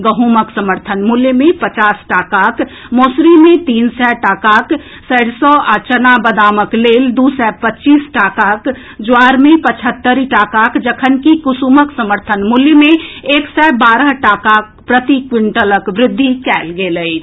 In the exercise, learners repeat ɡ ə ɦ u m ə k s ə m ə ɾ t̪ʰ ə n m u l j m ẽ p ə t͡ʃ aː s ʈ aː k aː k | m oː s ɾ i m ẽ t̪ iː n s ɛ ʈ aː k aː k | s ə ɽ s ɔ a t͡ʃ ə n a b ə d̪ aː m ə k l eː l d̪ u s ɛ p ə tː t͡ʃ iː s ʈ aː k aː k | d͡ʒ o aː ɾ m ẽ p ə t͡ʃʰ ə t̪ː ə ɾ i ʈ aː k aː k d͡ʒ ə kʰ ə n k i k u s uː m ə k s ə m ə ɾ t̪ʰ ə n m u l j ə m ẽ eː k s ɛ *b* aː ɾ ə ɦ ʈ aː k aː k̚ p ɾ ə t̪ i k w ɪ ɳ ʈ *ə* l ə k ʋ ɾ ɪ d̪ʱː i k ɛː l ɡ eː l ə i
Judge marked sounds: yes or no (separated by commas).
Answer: yes, yes